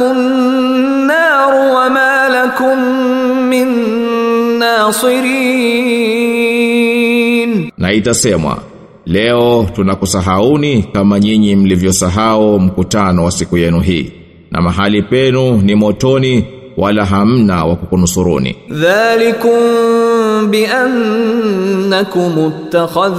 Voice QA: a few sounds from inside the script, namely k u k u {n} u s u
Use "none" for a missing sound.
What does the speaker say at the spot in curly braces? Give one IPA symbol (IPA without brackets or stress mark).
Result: n